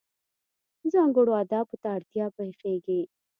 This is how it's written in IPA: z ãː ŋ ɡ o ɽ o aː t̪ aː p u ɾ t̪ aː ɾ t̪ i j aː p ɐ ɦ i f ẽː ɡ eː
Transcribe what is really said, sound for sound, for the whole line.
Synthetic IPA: z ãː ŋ ɡ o ɽ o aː d̪ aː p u t̪ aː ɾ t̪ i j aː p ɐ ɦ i f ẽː ɡ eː